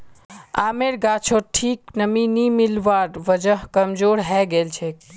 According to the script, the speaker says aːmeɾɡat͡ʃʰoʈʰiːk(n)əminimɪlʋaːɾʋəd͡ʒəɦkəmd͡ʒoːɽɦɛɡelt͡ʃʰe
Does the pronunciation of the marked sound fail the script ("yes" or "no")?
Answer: no